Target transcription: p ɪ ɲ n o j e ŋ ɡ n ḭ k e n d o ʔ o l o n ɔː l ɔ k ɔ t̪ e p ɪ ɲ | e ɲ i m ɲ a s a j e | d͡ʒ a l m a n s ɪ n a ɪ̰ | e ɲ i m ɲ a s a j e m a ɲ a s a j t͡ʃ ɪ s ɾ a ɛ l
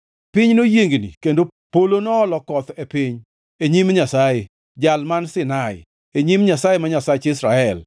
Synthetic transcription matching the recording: p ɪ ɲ n o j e ŋ ɡ n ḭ k e n d o p o l o n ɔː l ɔ k ɔ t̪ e p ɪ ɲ | e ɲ i m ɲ a s a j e | d͡ʒ a l m a n s ɪ n a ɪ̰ | e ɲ i m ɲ a s a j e m a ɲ a s a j t͡ʃ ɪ s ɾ a ɛ l